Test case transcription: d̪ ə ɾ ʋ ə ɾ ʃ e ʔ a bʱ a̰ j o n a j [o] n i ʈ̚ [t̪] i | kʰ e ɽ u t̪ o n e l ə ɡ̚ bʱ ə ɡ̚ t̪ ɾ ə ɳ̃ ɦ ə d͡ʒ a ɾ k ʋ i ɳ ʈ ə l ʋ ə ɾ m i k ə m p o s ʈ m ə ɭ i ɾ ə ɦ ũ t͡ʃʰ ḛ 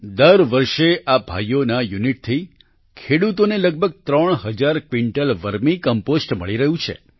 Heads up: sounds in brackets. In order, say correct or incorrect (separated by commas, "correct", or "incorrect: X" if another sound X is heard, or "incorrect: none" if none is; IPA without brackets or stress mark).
incorrect: u, incorrect: t̪ʰ